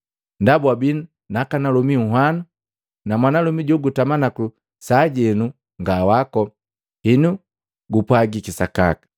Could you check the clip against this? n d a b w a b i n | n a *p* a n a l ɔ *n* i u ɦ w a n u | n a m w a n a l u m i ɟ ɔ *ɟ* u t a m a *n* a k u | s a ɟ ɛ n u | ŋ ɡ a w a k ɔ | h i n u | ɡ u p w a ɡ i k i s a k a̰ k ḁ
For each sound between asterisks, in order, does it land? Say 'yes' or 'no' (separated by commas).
no, no, no, yes